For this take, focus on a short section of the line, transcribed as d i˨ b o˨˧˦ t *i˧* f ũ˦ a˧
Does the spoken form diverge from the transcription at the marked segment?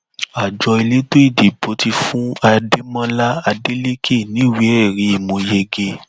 no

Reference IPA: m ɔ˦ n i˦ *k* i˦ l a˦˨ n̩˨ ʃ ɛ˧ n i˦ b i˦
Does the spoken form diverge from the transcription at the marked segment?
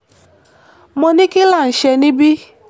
no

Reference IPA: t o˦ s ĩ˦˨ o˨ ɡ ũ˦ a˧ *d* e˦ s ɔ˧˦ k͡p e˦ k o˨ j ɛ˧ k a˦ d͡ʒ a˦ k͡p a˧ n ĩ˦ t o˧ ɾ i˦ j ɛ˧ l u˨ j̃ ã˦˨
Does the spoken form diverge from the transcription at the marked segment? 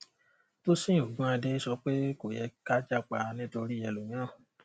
no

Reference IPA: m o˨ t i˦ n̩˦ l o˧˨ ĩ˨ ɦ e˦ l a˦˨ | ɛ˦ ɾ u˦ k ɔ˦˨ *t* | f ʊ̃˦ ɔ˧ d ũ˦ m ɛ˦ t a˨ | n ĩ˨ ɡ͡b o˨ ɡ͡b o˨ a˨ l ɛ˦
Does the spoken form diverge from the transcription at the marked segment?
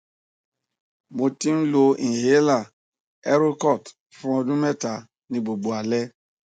no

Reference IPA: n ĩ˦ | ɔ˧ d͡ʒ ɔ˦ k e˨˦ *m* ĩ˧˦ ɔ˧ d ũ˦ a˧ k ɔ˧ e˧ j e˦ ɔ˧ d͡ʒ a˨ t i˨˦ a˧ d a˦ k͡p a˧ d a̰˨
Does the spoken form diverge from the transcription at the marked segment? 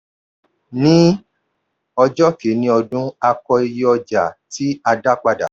yes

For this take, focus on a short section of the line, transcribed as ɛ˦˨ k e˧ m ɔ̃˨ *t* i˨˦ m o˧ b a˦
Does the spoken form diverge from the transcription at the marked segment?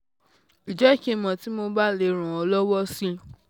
no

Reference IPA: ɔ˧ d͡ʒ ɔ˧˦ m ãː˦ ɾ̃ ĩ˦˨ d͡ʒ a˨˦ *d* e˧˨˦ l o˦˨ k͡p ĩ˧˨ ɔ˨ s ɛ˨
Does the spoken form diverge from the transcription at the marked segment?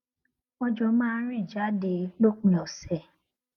no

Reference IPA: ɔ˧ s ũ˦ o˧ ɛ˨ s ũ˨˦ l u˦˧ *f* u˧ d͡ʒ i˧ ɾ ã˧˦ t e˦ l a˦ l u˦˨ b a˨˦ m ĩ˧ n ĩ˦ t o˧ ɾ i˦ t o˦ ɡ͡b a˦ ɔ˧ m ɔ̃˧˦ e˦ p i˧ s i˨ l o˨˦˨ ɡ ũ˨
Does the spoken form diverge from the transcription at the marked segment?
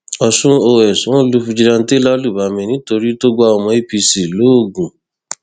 no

